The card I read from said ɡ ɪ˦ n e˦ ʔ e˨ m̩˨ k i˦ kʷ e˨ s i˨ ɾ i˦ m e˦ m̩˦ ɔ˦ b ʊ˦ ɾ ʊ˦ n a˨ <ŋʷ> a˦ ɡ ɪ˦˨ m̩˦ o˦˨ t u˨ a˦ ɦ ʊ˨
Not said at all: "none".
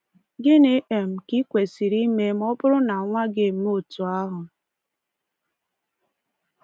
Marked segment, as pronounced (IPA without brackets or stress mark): ŋʷ